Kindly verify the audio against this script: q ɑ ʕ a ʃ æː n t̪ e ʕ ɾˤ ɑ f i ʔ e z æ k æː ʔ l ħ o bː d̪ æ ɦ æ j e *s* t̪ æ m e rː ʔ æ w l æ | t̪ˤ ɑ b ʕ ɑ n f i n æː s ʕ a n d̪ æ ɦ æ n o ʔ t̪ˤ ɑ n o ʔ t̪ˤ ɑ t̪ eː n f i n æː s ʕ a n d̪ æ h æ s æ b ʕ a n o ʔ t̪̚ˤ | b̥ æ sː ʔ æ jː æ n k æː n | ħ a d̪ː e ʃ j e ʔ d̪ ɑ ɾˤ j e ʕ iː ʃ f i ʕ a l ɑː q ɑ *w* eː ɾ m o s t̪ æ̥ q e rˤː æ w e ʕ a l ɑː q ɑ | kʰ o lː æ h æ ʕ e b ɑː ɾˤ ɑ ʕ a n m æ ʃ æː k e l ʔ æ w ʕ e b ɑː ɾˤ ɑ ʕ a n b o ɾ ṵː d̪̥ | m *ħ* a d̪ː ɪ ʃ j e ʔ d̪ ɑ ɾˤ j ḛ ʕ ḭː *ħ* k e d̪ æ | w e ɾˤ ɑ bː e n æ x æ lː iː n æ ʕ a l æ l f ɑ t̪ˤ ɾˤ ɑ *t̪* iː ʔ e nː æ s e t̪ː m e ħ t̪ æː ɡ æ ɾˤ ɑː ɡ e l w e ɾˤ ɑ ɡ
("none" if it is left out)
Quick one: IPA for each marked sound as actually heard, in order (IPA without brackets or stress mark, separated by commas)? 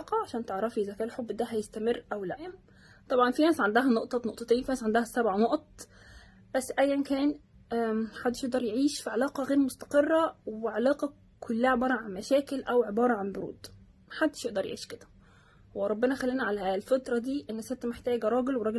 s, ɣ, ħ, ʃ, d̪